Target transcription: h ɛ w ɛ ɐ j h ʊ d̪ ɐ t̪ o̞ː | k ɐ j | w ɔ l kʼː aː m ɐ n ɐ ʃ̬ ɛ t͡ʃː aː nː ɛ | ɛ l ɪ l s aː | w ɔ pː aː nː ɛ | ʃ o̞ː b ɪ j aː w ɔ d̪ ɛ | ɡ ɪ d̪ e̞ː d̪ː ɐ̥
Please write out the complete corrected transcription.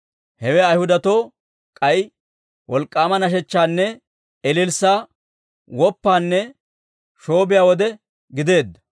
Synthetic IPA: h ɛ w ɛ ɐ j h ʊ d̪ ɐ t̪ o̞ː | kʼ ɐ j | w ɔ l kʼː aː m ɐ n ɐ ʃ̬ ɛ t͡ʃː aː nː ɛ | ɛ l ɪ l s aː | w ɔ pː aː nː ɛ | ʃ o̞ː b ɪ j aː w ɔ d̪ ɛ | ɡ ɪ d̪ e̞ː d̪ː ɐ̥